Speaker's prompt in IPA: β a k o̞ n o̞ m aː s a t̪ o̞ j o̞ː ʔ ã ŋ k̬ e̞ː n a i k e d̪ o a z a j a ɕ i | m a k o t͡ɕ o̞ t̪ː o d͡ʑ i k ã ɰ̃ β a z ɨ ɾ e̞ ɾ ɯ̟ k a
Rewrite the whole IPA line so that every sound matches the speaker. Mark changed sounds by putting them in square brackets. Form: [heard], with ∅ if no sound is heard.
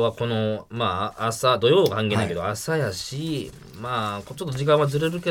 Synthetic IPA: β a k o̞ n o̞ m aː s a [d̪] o̞ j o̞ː [k] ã ŋ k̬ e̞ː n a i k e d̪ o a [s] a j a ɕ i | m a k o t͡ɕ o̞ t̪ː o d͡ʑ i k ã ɰ̃ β a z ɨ ɾ e̞ ɾ ɯ̟ k [e]